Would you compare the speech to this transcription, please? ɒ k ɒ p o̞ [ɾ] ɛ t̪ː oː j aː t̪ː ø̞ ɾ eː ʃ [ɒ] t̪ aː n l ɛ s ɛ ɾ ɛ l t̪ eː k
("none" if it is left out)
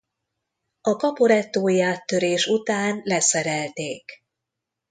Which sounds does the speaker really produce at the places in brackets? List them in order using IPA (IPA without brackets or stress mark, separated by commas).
ɾ, u